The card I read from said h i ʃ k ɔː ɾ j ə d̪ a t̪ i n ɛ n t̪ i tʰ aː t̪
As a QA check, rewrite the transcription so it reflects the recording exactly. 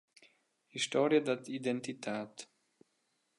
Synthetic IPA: h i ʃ t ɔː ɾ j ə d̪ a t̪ i d ɛ n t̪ i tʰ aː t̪